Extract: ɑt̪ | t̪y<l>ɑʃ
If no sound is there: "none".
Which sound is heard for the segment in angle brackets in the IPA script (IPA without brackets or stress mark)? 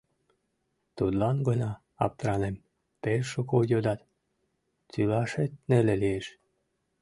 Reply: l